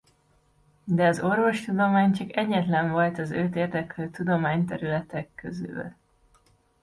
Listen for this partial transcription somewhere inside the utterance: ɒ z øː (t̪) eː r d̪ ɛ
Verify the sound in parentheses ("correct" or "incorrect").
correct